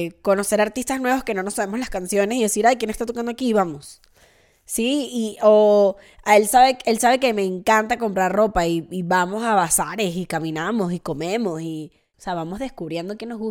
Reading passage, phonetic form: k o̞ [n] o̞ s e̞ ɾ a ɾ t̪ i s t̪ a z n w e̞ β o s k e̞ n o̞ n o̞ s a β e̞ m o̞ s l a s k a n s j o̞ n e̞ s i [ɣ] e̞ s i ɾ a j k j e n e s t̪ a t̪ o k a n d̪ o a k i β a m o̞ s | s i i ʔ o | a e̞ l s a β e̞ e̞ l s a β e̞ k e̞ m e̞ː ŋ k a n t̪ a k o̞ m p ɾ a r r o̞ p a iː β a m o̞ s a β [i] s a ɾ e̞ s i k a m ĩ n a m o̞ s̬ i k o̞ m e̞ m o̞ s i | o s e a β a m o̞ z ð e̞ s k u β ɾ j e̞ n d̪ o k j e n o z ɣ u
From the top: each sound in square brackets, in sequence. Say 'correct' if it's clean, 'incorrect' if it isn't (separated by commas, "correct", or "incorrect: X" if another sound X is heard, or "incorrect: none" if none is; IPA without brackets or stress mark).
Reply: correct, incorrect: ð, incorrect: a